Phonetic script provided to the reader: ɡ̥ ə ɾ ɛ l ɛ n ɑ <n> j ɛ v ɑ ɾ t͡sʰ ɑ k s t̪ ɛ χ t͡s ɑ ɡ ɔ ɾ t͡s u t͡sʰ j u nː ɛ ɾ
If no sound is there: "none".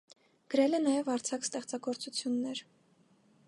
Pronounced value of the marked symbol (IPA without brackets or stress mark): none